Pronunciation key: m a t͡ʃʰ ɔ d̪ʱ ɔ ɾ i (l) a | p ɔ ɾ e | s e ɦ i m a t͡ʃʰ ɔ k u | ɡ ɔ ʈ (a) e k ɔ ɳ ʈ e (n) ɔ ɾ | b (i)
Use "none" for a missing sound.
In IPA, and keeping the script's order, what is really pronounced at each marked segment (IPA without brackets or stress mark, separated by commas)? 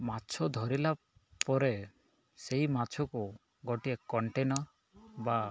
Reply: l, i, n, a